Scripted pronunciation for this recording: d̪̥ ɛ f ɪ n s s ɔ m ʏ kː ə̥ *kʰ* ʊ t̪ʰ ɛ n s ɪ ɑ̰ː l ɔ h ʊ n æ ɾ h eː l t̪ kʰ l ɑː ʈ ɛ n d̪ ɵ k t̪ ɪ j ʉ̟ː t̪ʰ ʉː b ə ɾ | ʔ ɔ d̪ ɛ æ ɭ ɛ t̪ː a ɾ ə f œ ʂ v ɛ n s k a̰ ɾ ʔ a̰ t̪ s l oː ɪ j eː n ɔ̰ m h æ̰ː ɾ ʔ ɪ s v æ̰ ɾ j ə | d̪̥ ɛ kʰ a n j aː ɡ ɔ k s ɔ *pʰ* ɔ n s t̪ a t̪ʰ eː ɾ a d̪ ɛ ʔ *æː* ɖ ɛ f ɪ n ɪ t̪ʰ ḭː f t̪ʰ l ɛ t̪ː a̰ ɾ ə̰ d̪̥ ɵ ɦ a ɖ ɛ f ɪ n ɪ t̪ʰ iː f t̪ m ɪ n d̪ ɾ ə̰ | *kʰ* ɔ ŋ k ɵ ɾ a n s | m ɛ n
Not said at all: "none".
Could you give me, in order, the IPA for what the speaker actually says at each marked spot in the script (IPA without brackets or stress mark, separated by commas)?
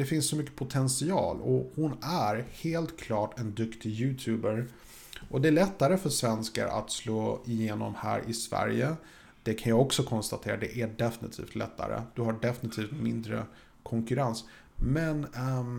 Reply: pʰ, kʰ, æ, kʰ